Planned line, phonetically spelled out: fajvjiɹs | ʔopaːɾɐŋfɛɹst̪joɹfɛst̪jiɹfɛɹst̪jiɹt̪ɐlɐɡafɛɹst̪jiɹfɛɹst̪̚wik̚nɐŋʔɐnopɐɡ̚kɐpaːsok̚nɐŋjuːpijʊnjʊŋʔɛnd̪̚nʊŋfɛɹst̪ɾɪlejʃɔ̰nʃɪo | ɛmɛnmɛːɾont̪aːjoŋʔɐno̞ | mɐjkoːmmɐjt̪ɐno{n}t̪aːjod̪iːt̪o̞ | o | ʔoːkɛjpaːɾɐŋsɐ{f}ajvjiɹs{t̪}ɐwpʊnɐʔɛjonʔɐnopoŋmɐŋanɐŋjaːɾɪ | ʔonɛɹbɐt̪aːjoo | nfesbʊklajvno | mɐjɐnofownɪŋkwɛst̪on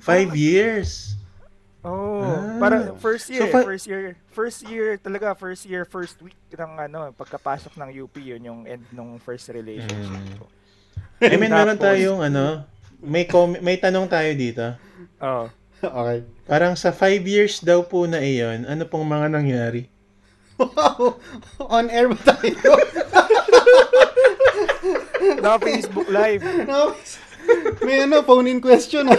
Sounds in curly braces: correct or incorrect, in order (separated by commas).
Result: incorrect, correct, incorrect